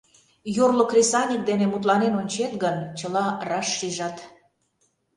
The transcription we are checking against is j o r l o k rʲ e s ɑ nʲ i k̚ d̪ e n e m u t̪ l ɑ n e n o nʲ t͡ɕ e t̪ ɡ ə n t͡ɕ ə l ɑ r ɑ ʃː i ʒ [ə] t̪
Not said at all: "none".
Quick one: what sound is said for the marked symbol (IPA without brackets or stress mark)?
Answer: ɑ